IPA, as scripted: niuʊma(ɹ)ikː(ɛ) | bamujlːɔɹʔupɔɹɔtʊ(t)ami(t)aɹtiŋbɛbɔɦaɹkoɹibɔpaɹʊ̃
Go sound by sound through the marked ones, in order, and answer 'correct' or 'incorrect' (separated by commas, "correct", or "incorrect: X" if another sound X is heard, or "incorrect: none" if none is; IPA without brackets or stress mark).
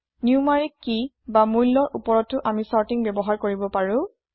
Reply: correct, incorrect: i, incorrect: ʔ, incorrect: s